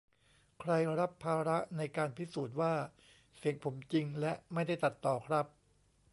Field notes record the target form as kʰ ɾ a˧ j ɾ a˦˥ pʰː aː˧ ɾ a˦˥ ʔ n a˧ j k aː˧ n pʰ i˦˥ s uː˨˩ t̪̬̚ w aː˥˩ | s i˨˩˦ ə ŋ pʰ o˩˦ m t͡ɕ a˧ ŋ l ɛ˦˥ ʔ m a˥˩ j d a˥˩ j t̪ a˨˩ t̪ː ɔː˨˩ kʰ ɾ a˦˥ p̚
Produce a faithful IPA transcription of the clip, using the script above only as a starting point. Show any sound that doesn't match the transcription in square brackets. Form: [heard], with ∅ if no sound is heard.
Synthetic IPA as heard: kʰ ɾ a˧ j ɾ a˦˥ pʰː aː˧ ɾ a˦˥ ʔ n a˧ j k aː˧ n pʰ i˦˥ s uː˨˩ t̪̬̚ w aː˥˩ | s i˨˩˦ ə ŋ pʰ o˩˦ m t͡ɕ [i˧] ŋ l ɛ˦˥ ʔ m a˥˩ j d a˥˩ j t̪ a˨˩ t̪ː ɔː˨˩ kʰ ɾ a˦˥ p̚